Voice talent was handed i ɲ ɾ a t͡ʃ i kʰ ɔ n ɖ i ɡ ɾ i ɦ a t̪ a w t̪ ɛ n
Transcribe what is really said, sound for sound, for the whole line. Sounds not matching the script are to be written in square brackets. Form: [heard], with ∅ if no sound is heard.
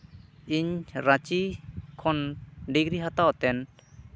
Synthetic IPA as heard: i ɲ ɾ a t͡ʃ i kʰ ɔ n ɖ i ɡ ɾ i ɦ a t̪ a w t̪ ɛ n